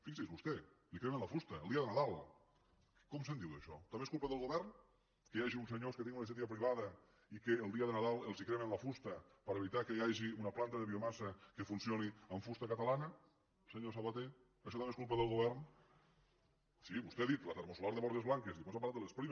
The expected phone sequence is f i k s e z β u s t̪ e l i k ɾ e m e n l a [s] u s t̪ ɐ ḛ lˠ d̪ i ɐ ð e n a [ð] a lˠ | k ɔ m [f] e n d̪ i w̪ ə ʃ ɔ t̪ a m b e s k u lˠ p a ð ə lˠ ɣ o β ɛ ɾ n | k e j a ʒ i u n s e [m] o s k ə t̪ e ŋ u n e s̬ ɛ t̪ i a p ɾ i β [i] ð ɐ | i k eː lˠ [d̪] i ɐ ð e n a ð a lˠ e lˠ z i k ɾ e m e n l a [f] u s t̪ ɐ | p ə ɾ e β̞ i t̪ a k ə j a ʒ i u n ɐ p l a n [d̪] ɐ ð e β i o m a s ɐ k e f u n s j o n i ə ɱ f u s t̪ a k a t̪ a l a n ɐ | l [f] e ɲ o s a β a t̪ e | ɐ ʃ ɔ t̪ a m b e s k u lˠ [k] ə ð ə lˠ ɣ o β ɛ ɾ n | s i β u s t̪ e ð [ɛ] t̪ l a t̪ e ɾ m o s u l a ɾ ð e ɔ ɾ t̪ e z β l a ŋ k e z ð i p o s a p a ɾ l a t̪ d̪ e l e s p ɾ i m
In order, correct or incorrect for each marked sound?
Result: incorrect, correct, incorrect, incorrect, incorrect, correct, correct, incorrect, incorrect, incorrect, incorrect

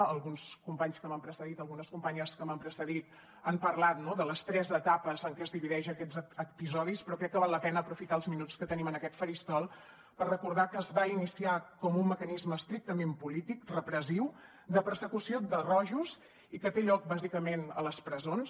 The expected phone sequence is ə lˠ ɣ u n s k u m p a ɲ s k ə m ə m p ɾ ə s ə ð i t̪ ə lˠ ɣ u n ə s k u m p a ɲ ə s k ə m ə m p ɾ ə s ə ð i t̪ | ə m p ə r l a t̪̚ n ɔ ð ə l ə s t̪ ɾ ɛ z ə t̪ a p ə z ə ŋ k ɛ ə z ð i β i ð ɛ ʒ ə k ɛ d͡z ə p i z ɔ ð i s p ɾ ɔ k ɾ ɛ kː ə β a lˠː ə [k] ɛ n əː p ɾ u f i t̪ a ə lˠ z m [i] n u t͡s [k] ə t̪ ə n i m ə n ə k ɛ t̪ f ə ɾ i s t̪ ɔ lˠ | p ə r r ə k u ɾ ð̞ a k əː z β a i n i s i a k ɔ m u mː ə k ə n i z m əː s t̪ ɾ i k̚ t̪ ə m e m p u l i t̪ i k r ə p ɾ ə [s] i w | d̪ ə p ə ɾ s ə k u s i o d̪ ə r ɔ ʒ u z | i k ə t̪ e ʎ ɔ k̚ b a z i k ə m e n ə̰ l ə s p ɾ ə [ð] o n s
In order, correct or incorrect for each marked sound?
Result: incorrect, correct, correct, incorrect, incorrect

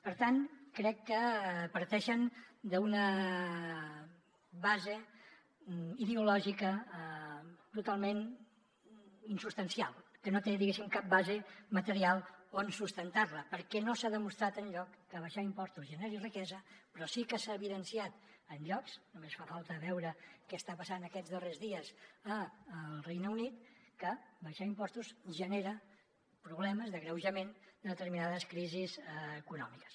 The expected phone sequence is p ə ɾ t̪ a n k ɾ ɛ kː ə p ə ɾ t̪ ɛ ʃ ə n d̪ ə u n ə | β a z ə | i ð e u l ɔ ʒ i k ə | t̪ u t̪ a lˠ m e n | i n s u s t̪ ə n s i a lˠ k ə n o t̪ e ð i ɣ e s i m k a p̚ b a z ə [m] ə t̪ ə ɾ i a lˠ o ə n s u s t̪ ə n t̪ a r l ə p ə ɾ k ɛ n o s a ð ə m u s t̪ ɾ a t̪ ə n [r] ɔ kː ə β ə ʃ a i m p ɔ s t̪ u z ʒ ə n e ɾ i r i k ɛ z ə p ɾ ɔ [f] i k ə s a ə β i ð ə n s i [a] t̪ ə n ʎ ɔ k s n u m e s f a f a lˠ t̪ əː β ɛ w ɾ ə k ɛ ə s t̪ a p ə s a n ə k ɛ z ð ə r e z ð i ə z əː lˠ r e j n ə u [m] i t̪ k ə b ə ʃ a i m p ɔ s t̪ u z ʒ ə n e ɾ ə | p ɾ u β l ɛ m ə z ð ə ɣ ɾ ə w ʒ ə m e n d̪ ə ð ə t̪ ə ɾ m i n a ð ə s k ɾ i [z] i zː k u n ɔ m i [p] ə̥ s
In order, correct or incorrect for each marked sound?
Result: correct, incorrect, incorrect, correct, incorrect, correct, incorrect

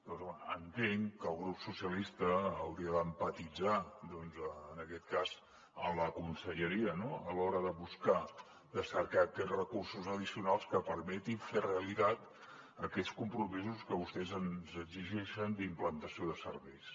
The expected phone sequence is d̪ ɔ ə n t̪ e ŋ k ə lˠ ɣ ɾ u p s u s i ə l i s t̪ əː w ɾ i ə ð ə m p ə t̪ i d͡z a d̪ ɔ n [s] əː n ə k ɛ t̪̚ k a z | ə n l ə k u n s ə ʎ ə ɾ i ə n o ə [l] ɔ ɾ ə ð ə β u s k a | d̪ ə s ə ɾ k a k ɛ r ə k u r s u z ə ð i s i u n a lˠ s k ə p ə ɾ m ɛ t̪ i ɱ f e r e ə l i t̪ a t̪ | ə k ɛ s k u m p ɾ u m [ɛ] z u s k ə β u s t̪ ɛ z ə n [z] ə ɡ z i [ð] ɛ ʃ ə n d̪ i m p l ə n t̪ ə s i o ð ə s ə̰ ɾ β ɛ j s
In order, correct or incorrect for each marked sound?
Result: incorrect, correct, incorrect, correct, incorrect

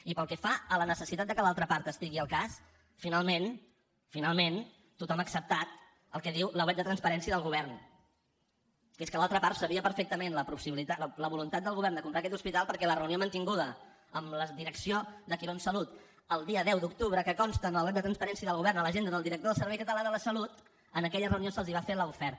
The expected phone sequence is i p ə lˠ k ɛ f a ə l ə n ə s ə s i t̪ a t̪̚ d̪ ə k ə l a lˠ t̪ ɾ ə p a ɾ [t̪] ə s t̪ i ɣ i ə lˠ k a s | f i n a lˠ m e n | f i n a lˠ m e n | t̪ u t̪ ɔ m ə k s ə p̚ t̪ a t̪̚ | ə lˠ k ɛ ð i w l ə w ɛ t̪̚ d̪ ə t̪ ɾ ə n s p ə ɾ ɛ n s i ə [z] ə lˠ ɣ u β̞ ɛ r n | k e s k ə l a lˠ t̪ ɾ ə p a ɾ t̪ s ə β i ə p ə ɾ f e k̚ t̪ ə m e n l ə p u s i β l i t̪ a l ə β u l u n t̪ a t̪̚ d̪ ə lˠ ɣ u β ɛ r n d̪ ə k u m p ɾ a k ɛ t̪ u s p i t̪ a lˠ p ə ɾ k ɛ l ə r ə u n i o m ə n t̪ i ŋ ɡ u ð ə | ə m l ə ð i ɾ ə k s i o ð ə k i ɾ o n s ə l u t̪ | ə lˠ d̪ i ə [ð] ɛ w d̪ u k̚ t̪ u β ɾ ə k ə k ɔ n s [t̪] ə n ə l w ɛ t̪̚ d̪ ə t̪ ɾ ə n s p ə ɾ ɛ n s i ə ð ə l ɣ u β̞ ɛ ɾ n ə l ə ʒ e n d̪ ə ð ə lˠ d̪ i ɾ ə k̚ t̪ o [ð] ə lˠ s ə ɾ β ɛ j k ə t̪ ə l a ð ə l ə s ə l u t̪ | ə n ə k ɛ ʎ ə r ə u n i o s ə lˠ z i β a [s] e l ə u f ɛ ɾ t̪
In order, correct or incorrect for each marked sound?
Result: correct, incorrect, correct, correct, correct, incorrect

